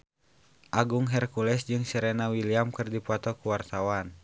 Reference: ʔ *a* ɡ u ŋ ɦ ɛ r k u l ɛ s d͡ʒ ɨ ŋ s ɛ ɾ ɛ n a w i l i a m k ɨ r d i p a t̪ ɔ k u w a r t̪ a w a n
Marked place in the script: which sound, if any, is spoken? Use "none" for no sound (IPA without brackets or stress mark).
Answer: a